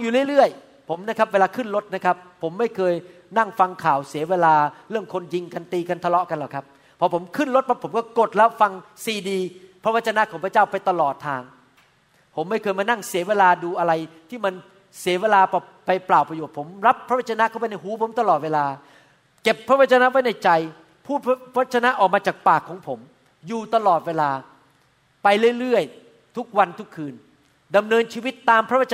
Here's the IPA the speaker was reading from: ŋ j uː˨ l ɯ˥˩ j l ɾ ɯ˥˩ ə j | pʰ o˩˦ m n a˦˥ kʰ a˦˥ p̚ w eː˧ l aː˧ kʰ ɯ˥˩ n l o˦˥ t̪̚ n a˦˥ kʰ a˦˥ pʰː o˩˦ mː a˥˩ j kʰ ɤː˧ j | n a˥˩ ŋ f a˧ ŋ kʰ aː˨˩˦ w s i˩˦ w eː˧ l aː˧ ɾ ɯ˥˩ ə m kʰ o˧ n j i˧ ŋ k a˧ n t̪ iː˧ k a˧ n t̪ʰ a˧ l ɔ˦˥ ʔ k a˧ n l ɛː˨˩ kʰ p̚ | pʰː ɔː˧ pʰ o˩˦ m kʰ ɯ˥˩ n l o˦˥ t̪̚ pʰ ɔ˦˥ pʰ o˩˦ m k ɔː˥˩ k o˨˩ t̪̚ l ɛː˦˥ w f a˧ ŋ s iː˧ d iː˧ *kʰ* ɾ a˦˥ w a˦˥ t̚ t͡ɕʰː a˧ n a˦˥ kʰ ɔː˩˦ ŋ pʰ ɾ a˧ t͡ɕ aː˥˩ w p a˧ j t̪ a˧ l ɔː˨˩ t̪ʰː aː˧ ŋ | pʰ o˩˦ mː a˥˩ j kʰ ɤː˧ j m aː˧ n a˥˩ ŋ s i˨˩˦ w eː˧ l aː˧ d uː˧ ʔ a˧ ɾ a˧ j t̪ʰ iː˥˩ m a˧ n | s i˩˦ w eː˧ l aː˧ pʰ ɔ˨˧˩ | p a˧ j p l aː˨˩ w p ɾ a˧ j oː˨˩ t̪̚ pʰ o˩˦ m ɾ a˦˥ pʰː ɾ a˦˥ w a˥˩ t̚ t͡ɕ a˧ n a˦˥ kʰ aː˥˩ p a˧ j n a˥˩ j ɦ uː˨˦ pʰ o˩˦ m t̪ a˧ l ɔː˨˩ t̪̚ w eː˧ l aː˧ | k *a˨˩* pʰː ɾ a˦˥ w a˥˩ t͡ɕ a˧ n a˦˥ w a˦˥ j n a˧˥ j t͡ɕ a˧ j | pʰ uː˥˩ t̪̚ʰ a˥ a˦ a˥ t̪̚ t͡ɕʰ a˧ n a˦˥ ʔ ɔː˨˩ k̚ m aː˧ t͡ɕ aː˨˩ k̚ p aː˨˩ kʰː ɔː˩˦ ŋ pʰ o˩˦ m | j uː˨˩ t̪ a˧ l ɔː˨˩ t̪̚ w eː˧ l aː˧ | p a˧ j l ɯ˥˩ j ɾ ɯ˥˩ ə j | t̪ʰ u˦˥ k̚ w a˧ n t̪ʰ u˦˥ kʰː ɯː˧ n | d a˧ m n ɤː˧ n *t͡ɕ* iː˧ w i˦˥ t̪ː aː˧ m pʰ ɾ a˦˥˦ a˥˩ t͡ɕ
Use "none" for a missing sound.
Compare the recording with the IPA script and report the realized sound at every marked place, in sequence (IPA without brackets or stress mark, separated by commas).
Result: pʰ, e˨˩, t͡ɕʰ